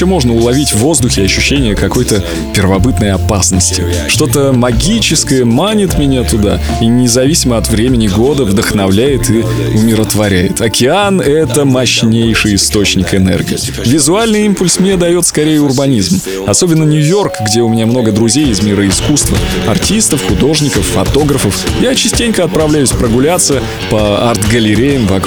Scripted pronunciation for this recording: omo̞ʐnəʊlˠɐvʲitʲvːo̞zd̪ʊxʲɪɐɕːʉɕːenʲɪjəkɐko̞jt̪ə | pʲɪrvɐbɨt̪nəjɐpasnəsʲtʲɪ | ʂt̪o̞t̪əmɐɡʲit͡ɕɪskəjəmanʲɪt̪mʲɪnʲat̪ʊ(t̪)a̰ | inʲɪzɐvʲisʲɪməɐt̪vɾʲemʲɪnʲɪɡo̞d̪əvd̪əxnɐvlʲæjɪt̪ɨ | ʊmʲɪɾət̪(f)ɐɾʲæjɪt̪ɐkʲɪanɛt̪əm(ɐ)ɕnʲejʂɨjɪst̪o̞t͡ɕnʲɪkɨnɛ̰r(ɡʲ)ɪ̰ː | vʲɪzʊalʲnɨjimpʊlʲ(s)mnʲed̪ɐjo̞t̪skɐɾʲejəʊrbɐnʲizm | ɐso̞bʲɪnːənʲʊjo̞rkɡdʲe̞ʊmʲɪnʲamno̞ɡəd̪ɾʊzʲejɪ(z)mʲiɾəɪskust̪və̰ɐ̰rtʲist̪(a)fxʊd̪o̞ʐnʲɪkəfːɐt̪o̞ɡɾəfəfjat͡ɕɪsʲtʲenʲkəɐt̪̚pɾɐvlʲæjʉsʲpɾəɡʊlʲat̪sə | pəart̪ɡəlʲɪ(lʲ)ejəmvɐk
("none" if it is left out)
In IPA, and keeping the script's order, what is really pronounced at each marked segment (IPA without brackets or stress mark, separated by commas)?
d̪, v, ɐ, ɡʲ, s, z, ə, ɾʲ